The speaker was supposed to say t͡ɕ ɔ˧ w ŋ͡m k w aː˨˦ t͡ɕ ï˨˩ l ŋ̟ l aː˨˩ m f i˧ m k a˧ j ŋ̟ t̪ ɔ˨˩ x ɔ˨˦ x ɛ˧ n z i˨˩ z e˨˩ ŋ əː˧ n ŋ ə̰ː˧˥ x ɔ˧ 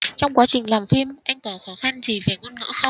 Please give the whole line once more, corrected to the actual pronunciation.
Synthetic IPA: t͡ɕ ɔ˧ w ŋ͡m k w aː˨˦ t͡ɕ ï˨˩ ŋ̟ l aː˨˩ m f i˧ m ʔ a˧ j ŋ̟ t̪ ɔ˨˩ x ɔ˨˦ x a˧ n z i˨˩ v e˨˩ ŋ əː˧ n ŋ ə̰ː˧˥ x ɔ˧